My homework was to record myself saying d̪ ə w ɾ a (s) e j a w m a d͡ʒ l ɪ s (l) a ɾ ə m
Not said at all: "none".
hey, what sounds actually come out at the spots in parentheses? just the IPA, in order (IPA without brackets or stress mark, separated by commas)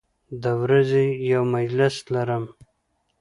z, l